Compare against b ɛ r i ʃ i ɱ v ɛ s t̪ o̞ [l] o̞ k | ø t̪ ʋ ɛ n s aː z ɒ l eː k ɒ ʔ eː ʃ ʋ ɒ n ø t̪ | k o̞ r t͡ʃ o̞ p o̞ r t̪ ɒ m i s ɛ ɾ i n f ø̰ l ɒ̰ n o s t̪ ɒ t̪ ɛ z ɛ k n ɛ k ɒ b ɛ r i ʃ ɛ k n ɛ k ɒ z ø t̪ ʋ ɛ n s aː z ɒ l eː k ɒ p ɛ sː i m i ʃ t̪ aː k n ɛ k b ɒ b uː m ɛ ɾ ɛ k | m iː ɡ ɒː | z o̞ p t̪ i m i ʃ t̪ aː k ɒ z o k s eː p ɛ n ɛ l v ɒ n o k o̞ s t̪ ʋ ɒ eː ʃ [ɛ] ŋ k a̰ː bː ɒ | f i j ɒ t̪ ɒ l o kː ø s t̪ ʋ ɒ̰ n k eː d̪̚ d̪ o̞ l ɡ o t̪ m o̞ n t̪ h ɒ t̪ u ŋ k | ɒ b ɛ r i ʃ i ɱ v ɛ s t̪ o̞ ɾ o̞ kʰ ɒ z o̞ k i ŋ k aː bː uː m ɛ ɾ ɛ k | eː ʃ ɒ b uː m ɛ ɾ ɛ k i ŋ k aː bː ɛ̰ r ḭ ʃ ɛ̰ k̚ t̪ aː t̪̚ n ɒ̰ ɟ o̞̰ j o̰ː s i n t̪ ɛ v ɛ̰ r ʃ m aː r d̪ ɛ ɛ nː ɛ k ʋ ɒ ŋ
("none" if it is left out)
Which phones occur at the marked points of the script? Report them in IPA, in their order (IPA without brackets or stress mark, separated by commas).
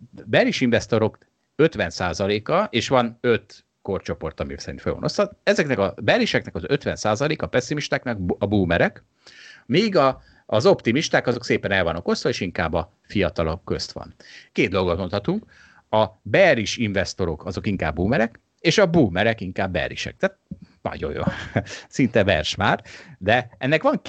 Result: ɾ, i